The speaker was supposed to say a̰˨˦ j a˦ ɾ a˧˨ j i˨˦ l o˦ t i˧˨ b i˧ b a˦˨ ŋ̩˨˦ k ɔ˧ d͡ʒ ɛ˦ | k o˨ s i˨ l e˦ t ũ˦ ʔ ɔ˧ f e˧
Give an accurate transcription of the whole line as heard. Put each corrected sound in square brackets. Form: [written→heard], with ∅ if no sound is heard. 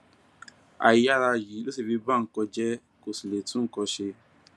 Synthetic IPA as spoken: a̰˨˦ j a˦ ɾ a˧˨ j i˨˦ l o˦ [t→s] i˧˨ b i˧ b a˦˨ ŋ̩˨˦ k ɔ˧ d͡ʒ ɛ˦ | k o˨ s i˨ l [e˦→e˨] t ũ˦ [ʔ→k] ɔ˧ [f→ʃ] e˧